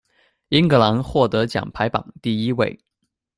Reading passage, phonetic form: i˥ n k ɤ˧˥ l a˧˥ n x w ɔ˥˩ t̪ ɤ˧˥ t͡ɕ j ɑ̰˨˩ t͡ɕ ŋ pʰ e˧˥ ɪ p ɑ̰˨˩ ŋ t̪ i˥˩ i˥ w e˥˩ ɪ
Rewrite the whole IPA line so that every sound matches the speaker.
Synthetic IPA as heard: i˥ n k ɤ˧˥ l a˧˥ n x w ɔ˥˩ t̪ ɤ˧˥ t͡ɕ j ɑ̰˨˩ ŋ pʰ a˧˥ ɪ p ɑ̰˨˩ ŋ t̪ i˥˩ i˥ w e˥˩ ɪ